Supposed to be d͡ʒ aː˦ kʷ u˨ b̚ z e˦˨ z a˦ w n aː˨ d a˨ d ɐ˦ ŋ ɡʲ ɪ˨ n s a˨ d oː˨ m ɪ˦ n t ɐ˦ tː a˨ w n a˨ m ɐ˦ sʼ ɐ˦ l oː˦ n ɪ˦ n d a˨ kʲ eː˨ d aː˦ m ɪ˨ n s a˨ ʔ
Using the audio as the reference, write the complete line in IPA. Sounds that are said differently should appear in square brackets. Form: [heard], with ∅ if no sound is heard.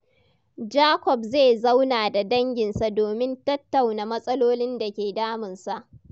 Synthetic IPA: d͡ʒ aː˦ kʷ [ɔ˨] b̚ z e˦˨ z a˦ w n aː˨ d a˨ d ɐ˦ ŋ ɡʲ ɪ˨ n s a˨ d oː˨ m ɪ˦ n t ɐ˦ tː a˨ w n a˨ m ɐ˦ sʼ ɐ˦ l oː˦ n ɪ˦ n d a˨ kʲ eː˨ d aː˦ m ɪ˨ n s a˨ ʔ